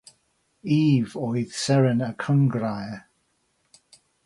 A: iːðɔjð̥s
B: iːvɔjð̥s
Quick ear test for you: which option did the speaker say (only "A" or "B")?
B